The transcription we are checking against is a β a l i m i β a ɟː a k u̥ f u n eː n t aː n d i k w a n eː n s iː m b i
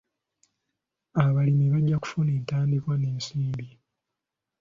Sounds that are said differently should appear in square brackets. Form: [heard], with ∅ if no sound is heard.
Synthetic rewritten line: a β a l i m i β a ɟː a k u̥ f u n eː n t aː n d i k w a n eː n s iː m b i

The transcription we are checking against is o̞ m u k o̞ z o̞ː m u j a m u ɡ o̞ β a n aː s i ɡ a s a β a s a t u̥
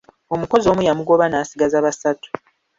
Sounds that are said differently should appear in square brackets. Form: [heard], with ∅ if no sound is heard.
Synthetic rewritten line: o̞ m u k o̞ z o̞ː m u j a m u ɡ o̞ β a n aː s i ɡ a [z] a β a s a t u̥

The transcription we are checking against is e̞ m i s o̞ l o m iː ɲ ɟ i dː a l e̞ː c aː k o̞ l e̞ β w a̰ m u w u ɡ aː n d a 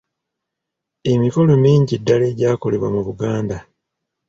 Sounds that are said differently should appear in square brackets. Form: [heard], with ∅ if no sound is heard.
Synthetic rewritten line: e̞ m i [f] o̞ l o m iː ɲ ɟ i dː a l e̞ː [ɟ] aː k o̞ l e̞ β w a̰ m u [β] u ɡ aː n d a

